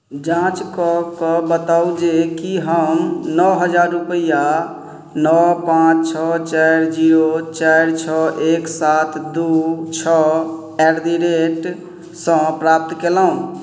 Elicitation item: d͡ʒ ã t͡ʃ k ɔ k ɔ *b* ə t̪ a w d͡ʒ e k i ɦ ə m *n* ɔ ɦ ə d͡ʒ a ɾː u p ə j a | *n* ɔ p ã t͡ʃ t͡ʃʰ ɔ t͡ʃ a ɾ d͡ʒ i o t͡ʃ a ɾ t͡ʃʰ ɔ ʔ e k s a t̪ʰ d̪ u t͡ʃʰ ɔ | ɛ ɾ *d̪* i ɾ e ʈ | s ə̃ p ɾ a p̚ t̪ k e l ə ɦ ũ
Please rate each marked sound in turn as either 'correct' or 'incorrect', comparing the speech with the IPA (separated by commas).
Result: correct, correct, correct, correct